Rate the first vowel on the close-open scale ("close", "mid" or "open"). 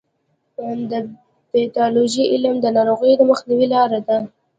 mid